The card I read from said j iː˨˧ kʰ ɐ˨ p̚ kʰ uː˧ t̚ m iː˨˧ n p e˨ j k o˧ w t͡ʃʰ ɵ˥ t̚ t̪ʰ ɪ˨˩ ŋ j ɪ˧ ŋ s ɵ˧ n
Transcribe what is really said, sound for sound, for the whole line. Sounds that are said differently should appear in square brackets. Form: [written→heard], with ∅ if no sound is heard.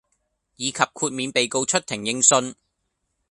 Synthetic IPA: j iː˨˧ kʰ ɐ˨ p̚ kʰ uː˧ t̚ m iː˨˧ n p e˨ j k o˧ w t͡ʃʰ ɵ˥ t̚ t̪ʰ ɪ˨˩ ŋ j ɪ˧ ŋ s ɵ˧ n